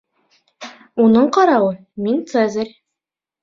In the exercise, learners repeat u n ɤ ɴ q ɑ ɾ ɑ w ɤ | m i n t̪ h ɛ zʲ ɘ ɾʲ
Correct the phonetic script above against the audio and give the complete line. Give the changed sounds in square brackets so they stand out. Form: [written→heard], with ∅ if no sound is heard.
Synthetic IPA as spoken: u n ɤ ɴ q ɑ ɾ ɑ w ɤ | m i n t̪ [h→s] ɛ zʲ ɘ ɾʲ